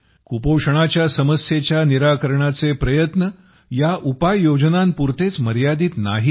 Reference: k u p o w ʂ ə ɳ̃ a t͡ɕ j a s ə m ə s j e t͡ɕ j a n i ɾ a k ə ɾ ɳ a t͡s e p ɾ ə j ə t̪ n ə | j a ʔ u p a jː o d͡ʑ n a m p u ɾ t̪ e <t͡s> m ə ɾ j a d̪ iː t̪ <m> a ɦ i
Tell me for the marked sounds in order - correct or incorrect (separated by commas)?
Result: correct, incorrect